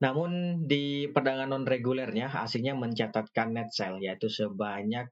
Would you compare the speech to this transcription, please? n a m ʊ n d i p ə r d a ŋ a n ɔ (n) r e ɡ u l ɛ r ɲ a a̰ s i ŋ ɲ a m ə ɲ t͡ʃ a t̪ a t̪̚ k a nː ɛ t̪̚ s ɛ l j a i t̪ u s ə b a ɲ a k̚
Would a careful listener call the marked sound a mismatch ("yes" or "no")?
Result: no